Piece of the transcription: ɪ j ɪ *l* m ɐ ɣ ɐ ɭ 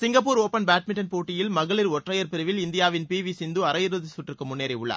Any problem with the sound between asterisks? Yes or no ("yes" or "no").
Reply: no